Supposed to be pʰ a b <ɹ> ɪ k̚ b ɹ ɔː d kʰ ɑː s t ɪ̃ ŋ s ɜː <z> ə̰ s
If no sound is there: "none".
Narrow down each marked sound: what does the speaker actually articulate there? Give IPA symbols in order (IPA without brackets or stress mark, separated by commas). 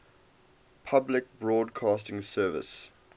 l, v